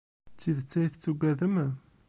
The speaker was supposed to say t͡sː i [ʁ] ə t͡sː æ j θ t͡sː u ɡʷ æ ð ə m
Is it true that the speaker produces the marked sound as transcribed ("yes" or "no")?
no